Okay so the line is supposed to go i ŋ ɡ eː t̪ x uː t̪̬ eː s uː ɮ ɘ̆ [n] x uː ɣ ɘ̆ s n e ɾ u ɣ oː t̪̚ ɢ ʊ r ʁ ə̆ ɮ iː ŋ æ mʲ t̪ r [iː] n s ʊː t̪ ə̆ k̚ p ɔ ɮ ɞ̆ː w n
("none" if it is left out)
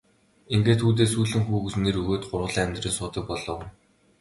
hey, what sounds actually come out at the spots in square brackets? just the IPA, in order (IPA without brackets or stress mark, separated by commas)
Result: ŋ, iː